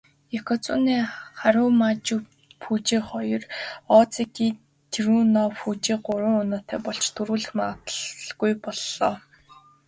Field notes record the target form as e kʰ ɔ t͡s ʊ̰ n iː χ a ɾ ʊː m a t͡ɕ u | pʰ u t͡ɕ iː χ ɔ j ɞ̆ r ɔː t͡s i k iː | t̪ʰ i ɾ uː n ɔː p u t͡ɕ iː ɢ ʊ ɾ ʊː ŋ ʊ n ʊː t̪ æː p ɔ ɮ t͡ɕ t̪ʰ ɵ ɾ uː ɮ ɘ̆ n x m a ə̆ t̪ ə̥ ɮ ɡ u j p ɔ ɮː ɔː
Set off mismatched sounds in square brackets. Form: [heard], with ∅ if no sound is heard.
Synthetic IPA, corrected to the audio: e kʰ ɔ t͡s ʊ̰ n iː χ a ɾ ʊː m a t͡ɕ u | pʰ u t͡ɕ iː χ ɔ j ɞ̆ r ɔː t͡s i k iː | t̪ʰ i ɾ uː n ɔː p u t͡ɕ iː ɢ ʊ ɾ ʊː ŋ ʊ n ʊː t̪ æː p ɔ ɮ t͡ɕ t̪ʰ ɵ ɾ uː ɮ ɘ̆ [∅] x m a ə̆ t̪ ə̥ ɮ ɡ u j p ɔ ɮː ɔː